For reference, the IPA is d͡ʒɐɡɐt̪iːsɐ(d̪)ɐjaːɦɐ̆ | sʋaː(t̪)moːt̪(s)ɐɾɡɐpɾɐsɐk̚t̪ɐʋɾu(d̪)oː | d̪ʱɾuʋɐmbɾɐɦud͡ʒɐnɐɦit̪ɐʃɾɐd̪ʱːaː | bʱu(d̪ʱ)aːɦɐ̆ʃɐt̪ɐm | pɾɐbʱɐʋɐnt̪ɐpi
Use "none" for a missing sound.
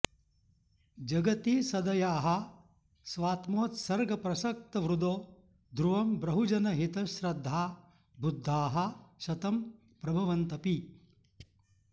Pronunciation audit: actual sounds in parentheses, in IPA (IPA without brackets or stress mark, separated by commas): d̪, t̪, s, d̪, d̪ʱː